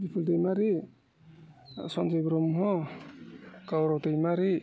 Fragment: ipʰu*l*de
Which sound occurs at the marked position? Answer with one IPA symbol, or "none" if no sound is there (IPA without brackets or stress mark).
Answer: l